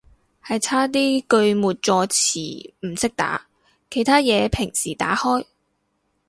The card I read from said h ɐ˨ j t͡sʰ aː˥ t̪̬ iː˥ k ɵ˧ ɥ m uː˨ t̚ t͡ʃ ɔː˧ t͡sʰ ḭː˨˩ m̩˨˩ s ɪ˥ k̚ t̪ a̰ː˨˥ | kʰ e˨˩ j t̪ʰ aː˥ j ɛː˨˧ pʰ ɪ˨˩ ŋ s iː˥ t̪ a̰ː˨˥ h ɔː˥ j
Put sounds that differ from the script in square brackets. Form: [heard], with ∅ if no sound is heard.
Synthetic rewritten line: h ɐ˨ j t͡sʰ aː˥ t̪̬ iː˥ k ɵ˧ ɥ m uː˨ t̚ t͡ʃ ɔː˧ t͡sʰ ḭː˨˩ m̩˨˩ s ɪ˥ k̚ t̪ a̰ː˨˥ | kʰ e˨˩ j t̪ʰ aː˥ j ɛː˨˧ pʰ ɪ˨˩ ŋ s [iː˨˩] t̪ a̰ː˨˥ h ɔː˥ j